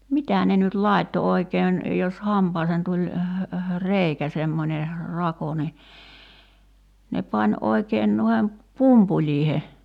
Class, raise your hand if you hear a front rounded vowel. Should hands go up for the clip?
yes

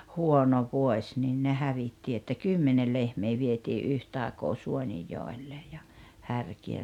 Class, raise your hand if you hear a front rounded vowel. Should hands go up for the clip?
yes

